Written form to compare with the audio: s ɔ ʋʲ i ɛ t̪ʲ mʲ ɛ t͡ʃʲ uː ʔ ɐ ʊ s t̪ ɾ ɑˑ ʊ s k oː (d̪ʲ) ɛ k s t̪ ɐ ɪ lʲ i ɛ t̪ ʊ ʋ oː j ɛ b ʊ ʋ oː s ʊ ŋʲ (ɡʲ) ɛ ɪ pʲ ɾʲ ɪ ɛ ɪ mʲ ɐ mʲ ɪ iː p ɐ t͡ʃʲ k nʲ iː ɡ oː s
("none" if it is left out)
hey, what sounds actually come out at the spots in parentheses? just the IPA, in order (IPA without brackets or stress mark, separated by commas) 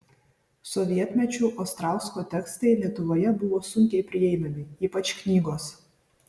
t̪ʲ, kʲ